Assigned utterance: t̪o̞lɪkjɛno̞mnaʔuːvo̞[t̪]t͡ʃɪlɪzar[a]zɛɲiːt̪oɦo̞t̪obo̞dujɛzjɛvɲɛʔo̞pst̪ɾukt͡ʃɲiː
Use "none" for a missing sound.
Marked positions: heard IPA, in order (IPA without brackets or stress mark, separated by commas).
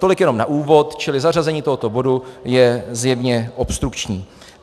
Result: t̪, a